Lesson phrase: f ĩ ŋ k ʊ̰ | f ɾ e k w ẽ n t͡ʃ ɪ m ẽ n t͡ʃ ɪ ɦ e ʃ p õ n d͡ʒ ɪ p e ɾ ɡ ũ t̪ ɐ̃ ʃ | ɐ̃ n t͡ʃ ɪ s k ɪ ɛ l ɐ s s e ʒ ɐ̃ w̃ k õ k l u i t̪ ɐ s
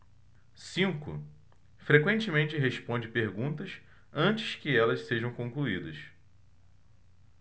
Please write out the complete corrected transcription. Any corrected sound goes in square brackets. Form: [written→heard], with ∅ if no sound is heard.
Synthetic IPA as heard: [f→s] ĩ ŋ k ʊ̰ | f ɾ e k w ẽ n t͡ʃ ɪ m ẽ n t͡ʃ ɪ ɦ e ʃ p õ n d͡ʒ ɪ p e ɾ ɡ ũ t̪ [ɐ̃→ɐ] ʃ | ɐ̃ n t͡ʃ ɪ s k ɪ ɛ l ɐ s s e ʒ ɐ̃ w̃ k õ k l u i [t̪→d̪] ɐ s